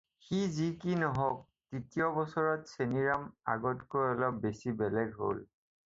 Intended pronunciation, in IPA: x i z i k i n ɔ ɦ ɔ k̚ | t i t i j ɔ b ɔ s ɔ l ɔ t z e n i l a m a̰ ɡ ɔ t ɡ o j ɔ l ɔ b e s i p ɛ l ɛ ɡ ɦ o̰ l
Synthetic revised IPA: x i z i k i n ɔ ɦ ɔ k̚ | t i t i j ɔ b ɔ s ɔ ɹ ɔ t s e n i ɹ a m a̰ ɡ ɔ t k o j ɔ l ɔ b e s i b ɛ l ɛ ɡ ɦ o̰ l